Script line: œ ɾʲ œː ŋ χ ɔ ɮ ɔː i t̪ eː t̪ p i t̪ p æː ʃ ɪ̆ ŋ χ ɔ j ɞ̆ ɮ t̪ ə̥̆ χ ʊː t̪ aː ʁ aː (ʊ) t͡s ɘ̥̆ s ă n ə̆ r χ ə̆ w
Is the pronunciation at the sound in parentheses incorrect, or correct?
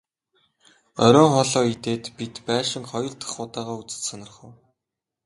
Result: incorrect